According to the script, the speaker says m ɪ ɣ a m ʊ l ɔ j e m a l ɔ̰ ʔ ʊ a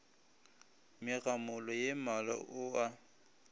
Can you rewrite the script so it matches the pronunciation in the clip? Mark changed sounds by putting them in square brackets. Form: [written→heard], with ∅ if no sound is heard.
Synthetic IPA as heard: m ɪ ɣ a m ʊ l ɔ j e m a l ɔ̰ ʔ ʊ a